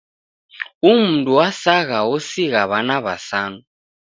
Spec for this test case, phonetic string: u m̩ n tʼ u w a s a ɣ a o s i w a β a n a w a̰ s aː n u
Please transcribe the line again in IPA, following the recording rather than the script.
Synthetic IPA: u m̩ n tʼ u w a s a ɣ a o s i ɣ a β a n a β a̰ s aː n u